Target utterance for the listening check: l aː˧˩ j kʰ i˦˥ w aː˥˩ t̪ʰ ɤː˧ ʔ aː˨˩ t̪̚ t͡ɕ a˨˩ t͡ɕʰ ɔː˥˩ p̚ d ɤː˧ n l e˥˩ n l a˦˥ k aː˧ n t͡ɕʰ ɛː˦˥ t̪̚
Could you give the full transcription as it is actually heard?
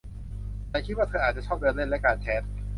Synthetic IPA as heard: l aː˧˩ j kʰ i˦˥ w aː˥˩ t̪ʰ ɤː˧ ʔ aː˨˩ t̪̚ t͡ɕ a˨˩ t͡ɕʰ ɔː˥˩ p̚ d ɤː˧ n l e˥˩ n l ɛ˦˥ k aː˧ n t͡ɕʰ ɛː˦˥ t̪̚